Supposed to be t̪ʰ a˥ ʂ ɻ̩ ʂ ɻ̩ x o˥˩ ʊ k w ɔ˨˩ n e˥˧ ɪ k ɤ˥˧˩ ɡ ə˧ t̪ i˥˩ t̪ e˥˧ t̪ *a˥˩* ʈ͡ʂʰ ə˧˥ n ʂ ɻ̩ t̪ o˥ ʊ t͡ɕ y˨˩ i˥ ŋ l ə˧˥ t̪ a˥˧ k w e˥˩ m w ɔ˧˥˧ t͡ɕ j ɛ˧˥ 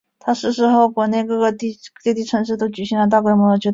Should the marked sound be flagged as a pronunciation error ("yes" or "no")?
yes